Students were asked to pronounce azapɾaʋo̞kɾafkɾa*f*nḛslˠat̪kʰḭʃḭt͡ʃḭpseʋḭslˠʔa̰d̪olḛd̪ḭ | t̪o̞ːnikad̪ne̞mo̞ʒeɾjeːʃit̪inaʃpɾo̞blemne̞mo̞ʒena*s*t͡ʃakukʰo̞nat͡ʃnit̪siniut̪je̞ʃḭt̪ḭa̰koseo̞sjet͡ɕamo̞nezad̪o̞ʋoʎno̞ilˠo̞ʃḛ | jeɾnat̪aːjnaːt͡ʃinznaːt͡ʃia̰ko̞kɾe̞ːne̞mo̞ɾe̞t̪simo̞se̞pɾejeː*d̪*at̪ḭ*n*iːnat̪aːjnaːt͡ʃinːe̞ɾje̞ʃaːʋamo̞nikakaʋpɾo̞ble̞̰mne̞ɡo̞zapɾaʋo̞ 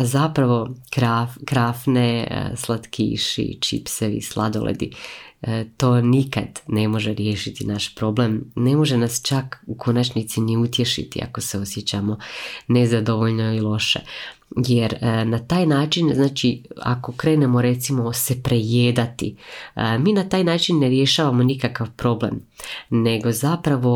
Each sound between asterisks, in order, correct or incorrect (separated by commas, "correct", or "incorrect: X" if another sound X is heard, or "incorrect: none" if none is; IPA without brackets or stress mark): correct, correct, correct, incorrect: m